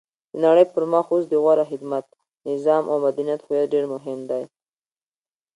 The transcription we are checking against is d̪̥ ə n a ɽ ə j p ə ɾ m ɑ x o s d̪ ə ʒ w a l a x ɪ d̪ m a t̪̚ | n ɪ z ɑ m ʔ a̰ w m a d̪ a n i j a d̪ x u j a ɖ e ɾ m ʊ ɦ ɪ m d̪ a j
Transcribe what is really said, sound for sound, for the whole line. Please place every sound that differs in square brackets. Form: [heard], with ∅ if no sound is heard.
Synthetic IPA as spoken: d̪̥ ə n a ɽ ə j p ə ɾ m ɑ x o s d̪ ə [ɣ] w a [ɾ] a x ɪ d̪ m a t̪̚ | n ɪ z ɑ m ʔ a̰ w m a d̪ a n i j a [t̪] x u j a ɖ e ɾ m ʊ ɦ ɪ m d̪ a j

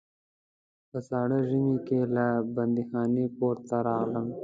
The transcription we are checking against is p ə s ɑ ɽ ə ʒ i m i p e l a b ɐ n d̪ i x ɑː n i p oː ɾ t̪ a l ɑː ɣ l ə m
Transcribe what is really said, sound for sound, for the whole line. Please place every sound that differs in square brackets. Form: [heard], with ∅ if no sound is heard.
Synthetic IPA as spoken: p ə s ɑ ɽ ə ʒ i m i [k] e l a b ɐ n d̪ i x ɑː n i p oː ɾ t̪ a [ɾ] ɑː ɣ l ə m

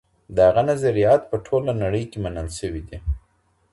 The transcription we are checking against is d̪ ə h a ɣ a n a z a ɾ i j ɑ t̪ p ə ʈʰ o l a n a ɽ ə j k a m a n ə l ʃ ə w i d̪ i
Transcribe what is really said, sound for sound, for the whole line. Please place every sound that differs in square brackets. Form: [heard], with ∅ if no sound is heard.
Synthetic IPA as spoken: d̪ ə h a ɣ a n a z a ɾ i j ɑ t̪ p ə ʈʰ o l a n a ɽ ə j k [e] m a n ə l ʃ ə w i d̪ i

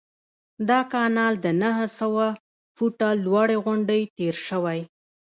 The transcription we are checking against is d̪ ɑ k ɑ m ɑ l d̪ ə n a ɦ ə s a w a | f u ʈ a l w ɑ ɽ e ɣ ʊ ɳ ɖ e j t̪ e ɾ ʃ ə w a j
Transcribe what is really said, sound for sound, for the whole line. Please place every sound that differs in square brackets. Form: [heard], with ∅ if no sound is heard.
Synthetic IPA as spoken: d̪ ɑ k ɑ [n] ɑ l d̪ ə n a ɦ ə s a w a | f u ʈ a l w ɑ ɽ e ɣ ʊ ɳ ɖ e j t̪ e ɾ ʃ ə w a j

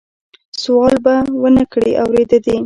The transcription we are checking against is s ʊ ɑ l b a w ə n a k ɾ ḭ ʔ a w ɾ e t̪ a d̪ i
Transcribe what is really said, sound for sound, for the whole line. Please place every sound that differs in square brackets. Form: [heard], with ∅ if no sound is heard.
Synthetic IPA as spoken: s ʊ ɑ l b a w ə n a k [ɽ] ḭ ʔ a w ɾ e [d̪] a d̪ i

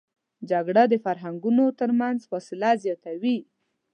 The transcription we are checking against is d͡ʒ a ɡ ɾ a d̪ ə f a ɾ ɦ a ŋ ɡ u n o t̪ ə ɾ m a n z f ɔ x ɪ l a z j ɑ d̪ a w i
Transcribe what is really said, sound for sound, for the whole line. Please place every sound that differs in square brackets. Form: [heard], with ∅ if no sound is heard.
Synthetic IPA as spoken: d͡ʒ a ɡ [ɽ] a d̪ ə f a ɾ ɦ a ŋ ɡ u n o t̪ ə ɾ m a n z f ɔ [s] ɪ l a z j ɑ [t̪] a w i

